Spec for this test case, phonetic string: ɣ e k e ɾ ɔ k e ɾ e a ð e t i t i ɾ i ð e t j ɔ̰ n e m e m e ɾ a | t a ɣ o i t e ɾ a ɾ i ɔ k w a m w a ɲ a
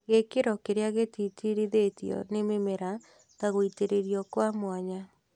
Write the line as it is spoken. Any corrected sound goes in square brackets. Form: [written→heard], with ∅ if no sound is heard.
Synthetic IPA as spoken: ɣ e k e ɾ ɔ k e ɾ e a [ð→ɣ] e t i t i ɾ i ð e t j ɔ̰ n e m e m e ɾ a | t a ɣ o i t e ɾ [a→e] ɾ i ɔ k w a m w a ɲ a